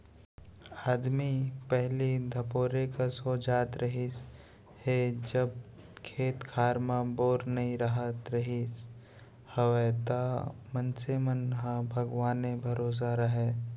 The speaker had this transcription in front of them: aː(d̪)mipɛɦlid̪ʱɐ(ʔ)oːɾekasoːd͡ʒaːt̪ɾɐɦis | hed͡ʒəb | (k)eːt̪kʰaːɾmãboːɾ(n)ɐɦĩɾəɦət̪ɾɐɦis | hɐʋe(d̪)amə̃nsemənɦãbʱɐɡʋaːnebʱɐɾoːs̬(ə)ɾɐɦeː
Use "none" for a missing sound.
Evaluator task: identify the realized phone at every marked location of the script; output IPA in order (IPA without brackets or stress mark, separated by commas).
d̪, p, kʰ, n, t̪, a